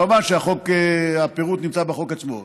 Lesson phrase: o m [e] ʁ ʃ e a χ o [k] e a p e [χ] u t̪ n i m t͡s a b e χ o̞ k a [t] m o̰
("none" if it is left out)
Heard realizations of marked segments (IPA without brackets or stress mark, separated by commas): a, k, ʁ, t͡s